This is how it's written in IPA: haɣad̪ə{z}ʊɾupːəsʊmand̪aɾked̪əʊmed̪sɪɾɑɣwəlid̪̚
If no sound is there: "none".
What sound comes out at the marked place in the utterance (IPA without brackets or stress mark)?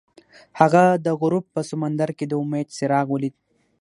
ɣ